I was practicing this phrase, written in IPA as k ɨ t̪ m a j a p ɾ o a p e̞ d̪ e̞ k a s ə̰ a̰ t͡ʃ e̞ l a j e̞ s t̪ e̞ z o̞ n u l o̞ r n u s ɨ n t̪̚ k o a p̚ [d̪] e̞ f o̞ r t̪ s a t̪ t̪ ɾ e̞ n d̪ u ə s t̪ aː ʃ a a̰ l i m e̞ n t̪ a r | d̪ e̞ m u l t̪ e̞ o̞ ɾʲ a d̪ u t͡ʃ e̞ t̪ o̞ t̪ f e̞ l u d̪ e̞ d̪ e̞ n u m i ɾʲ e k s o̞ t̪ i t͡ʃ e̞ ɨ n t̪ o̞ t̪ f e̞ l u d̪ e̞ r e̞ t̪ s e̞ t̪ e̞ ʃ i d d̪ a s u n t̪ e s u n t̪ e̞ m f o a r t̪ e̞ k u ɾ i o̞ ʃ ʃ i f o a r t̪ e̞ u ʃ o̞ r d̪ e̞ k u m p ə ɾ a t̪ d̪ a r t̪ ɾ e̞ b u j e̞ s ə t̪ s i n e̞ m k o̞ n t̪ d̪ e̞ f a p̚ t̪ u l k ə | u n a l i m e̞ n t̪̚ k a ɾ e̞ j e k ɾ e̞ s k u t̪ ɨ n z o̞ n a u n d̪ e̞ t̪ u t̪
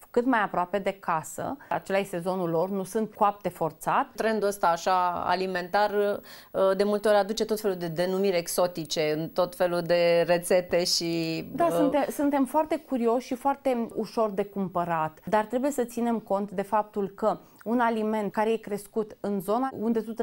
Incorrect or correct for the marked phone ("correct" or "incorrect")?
incorrect